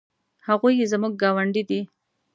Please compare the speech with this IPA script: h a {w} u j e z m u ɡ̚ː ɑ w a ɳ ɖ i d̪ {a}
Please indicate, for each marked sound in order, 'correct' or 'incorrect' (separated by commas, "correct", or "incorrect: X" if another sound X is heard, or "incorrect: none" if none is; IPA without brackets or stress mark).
incorrect: ɣ, incorrect: i